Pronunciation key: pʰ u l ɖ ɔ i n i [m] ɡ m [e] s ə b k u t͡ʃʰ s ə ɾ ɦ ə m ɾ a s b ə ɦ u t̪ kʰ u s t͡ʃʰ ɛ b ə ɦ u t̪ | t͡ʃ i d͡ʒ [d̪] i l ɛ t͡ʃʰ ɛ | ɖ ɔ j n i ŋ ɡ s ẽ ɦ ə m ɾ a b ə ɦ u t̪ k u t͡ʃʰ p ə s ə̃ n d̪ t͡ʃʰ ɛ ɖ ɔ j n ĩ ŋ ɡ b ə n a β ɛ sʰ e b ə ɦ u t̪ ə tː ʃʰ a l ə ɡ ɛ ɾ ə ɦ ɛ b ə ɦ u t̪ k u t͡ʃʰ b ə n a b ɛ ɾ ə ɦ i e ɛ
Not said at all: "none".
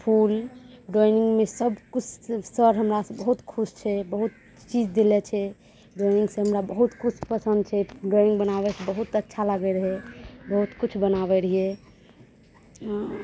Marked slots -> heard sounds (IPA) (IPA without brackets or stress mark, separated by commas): ŋ, e, d̪